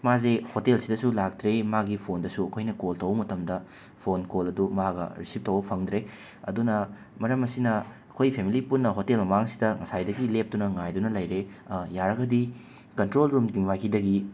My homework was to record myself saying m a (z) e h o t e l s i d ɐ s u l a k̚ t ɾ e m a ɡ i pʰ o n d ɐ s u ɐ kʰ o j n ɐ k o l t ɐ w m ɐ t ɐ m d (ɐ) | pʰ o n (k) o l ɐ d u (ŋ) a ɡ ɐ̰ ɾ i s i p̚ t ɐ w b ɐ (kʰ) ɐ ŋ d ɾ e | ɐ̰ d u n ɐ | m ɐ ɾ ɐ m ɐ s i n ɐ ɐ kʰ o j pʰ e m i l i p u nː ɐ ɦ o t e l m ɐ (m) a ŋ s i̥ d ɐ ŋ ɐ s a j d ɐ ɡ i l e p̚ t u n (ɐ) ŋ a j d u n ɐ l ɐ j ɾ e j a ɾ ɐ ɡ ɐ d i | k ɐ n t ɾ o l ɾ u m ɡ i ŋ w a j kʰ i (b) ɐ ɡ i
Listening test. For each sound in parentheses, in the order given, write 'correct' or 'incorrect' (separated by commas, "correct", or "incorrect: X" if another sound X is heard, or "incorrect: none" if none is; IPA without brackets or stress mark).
correct, correct, correct, incorrect: m, incorrect: pʰ, correct, correct, incorrect: d